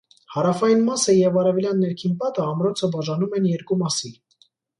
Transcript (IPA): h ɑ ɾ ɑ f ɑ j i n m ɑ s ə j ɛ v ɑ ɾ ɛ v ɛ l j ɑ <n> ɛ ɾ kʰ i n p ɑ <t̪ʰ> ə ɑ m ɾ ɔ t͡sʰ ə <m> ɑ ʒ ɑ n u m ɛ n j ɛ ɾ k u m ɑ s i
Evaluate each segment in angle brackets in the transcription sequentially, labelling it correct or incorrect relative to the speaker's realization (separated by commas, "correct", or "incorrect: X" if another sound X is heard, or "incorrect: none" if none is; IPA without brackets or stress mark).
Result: incorrect: nː, incorrect: t̪, incorrect: b